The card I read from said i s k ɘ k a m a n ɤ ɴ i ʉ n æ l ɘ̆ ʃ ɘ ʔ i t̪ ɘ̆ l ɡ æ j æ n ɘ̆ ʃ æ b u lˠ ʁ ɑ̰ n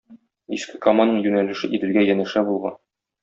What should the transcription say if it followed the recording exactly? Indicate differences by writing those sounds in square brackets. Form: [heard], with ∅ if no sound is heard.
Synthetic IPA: i s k ɘ k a m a n ɤ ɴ [j] ʉ n æ l ɘ̆ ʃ ɘ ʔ i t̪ ɘ̆ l ɡ æ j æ n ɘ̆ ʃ æ b u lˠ ʁ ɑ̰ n

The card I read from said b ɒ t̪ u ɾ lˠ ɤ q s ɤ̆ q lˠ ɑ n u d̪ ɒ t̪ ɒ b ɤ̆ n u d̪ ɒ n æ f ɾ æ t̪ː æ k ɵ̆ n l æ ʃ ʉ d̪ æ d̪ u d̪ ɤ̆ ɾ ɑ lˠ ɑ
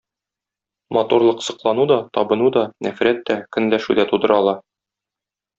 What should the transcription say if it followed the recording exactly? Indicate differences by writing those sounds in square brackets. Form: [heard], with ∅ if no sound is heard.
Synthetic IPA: [m] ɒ t̪ u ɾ lˠ ɤ q s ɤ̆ q lˠ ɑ n u d̪ ɒ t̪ ɒ b ɤ̆ n u d̪ ɒ n æ f ɾ æ t̪ː æ k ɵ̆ n l æ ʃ ʉ d̪ æ [t̪] u d̪ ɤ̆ ɾ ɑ lˠ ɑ

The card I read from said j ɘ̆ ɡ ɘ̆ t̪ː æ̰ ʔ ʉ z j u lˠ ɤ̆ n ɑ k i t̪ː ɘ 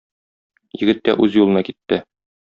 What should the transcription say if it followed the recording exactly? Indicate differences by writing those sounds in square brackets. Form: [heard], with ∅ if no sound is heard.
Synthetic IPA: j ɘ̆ ɡ ɘ̆ t̪ː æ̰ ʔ ʉ z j u lˠ ɤ̆ n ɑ k i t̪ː ɘ

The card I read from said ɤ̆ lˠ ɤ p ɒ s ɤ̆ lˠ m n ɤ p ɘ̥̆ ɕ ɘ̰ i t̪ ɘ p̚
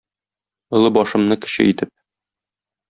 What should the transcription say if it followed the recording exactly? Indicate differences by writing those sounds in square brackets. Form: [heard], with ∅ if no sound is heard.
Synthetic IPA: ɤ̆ lˠ ɤ [b] ɒ [ʃ] ɤ̆ [∅] m n ɤ [k] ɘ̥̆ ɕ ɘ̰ i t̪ ɘ p̚

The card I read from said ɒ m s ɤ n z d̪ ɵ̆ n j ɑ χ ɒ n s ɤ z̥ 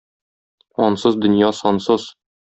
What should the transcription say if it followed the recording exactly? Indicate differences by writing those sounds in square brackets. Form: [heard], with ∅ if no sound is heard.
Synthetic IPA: ɒ [n] s ɤ [∅] z d̪ ɵ̆ n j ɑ [s] ɒ n s ɤ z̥

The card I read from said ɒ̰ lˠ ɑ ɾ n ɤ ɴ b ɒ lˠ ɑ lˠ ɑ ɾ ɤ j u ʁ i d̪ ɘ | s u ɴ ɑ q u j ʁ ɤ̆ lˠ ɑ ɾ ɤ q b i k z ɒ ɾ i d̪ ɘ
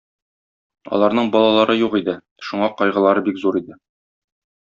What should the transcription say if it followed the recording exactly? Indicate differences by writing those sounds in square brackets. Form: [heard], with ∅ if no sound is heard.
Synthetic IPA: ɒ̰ lˠ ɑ ɾ n ɤ ɴ b ɒ lˠ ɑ lˠ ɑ ɾ ɤ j u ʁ i d̪ ɘ | [ʃ] u ɴ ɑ q [ɒ] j ʁ ɤ̆ lˠ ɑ ɾ ɤ [∅] b i k z [u] ɾ i d̪ ɘ

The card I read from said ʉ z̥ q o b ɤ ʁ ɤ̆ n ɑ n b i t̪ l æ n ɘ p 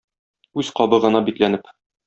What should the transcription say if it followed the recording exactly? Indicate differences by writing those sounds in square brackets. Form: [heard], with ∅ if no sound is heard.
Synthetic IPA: ʉ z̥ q [ɒ] b ɤ ʁ ɤ̆ n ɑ [∅] b i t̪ l æ n ɘ p

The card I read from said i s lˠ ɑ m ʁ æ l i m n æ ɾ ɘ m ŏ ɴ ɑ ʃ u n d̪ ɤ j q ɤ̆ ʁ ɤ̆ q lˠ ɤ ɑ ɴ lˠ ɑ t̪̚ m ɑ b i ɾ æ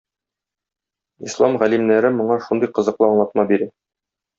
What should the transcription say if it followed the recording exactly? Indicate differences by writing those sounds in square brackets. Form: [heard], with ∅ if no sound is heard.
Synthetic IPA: i s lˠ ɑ m ʁ æ l i m n æ ɾ ɘ m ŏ ɴ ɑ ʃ u n d̪ ɤ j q ɤ̆ [z] ɤ̆ q lˠ ɤ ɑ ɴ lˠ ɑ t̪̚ m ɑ b i ɾ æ

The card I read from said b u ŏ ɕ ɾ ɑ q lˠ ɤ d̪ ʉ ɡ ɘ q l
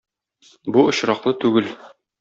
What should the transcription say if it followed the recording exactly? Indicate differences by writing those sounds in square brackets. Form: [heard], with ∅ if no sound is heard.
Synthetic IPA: b u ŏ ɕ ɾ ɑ q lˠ ɤ [t̪] ʉ ɡ ɘ [∅] l

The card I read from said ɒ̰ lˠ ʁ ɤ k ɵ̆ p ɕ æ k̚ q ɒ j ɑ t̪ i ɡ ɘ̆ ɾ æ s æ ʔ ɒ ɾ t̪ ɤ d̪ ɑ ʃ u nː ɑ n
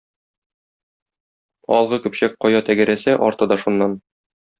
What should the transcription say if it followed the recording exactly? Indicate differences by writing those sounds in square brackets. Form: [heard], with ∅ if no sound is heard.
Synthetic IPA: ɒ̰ lˠ ʁ ɤ k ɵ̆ p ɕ æ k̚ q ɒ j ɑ t̪ [æ] ɡ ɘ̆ ɾ æ s æ ʔ ɒ ɾ t̪ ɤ d̪ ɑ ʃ u nː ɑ n

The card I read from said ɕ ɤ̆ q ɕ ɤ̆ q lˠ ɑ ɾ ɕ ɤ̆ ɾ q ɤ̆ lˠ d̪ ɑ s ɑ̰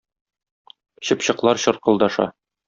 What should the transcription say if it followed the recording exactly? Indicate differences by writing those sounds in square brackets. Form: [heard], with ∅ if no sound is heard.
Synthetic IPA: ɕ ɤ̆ [p] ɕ ɤ̆ q lˠ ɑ ɾ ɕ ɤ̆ ɾ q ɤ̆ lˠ d̪ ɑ [ʃ] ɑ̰

